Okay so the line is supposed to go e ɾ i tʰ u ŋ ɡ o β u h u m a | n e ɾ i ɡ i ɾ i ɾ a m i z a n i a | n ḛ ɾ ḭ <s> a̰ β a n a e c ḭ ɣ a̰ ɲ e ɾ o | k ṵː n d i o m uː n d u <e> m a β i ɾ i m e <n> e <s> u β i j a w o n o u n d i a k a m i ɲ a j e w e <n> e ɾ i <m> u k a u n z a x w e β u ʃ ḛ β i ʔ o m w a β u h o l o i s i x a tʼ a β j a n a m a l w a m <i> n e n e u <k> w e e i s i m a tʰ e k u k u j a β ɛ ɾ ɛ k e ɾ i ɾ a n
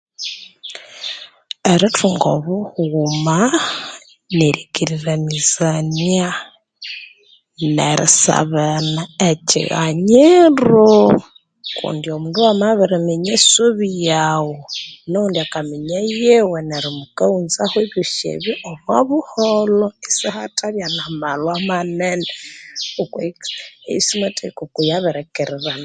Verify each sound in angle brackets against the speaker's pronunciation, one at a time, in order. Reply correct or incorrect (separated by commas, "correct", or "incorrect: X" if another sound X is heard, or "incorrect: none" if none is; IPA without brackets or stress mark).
correct, incorrect: a, incorrect: ɲ, correct, correct, correct, incorrect: a, correct